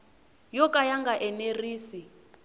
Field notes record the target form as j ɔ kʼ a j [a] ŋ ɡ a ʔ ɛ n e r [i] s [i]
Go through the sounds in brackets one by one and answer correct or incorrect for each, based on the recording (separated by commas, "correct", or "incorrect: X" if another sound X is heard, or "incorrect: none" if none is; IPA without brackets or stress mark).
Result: correct, incorrect: iː, correct